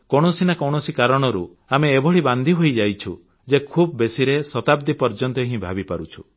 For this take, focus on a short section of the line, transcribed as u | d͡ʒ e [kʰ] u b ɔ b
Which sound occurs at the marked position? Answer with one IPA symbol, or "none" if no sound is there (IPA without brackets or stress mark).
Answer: kʰ